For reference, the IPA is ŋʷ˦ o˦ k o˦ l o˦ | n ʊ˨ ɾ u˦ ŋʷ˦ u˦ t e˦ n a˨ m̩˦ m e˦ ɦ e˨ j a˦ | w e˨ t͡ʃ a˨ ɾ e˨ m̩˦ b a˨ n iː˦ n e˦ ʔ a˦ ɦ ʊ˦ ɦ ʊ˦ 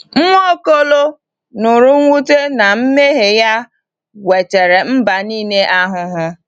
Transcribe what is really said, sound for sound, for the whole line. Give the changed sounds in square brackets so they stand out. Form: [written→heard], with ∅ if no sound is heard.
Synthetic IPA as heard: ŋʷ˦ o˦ k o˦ l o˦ | n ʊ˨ ɾ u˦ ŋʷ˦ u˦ t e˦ n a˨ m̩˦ m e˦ ɦ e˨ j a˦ | w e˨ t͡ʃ [a˨→e˨] ɾ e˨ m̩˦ b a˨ n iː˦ n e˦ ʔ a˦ ɦ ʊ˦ ɦ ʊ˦